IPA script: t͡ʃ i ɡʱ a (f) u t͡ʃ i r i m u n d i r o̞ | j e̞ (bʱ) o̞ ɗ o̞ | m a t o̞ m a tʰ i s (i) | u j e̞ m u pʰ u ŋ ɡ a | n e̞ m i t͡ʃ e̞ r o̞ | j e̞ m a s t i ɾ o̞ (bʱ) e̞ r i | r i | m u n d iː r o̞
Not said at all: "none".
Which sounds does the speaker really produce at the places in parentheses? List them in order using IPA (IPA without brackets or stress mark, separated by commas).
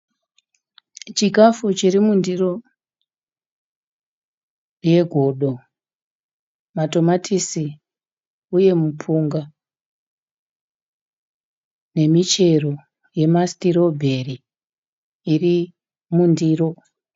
f, ɡʱ, i, bʱ